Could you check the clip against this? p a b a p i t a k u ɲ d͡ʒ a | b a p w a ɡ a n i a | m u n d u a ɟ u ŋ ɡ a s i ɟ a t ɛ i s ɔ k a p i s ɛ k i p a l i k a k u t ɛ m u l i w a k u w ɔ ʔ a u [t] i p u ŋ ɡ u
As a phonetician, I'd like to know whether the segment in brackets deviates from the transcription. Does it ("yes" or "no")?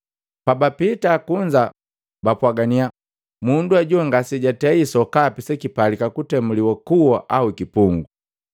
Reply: yes